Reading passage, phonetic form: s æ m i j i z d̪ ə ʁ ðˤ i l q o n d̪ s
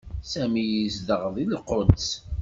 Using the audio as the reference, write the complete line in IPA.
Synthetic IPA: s æ m i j i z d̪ ə ʁ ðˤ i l q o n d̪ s